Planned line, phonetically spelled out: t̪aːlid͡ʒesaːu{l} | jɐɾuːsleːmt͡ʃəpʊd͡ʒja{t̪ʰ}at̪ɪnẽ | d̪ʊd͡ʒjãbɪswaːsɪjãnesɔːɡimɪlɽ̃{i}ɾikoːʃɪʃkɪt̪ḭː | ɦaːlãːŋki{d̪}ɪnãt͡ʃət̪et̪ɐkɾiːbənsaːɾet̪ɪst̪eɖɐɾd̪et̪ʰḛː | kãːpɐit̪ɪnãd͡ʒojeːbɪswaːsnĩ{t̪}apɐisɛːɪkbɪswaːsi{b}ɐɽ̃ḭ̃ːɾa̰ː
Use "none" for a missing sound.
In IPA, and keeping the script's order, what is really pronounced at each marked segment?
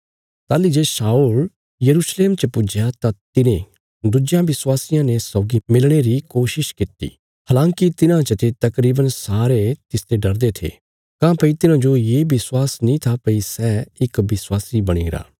l, t̪, e, t̪, t̪ʰ, b

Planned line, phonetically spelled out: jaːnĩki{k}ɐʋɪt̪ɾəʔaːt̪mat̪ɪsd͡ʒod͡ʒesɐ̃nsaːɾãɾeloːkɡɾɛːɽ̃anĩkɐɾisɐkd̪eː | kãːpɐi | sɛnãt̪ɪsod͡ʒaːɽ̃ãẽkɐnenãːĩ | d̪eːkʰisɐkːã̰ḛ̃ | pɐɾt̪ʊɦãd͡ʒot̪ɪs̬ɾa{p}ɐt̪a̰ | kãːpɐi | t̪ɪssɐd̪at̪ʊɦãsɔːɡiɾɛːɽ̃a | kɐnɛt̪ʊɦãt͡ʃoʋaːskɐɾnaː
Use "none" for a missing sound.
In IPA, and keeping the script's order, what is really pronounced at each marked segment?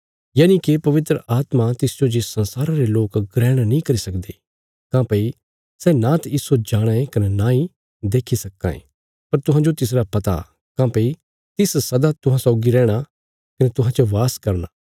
p, p

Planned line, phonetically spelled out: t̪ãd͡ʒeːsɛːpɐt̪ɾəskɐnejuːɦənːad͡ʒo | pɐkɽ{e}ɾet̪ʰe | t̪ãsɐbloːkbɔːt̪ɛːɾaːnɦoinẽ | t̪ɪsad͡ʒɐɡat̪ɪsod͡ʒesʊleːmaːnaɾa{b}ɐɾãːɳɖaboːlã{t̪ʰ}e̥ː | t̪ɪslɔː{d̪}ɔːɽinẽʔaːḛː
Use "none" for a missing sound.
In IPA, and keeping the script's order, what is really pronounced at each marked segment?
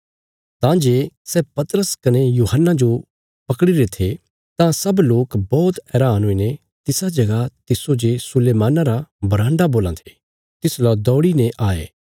i, b, t̪ʰ, d̪

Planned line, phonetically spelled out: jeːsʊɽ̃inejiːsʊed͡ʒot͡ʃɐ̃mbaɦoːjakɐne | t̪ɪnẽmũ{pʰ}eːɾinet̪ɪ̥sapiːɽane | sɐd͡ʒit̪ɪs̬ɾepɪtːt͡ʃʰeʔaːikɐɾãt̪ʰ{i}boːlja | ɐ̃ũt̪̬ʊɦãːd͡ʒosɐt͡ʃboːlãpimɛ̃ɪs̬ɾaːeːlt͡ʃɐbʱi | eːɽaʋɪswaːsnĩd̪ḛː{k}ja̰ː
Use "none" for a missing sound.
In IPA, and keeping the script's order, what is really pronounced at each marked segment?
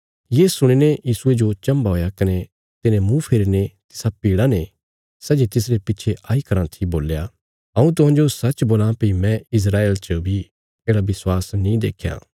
pʰ, i, kʰ

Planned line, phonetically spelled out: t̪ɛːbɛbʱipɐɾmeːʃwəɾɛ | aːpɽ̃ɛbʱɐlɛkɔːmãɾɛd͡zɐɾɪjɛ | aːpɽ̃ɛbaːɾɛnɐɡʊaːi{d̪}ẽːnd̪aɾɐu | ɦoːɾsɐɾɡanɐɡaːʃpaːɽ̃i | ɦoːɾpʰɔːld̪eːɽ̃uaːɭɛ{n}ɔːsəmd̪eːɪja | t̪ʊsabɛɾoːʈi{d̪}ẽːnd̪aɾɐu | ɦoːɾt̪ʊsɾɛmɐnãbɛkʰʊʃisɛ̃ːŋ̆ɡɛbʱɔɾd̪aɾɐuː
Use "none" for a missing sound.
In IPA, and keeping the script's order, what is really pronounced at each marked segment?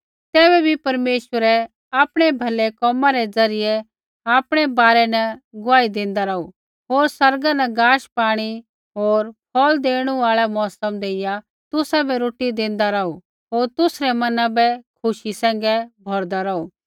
d̪, m, d̪

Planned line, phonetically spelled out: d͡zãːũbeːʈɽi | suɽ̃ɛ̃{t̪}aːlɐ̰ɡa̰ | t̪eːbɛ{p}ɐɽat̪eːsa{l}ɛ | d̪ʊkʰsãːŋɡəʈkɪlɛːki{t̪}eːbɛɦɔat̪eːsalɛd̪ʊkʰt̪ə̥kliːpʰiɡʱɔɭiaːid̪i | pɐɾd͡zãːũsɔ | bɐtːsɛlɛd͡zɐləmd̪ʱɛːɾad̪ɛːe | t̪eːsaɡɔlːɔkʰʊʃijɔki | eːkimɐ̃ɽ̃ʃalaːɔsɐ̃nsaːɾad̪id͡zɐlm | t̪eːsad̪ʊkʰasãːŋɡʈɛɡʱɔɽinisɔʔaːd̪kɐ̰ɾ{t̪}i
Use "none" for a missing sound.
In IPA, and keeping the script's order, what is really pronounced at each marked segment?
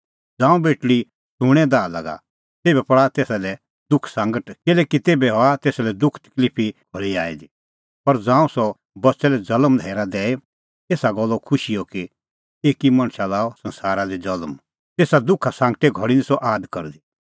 d̪, p, l, t̪, d̪

